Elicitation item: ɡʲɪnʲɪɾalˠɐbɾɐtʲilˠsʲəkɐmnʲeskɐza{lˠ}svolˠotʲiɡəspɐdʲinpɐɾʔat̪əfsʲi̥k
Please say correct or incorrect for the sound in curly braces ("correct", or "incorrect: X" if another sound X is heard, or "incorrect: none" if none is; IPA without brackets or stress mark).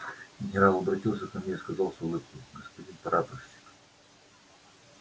correct